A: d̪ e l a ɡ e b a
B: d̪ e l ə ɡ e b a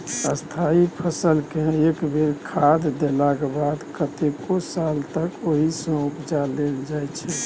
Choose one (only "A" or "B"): A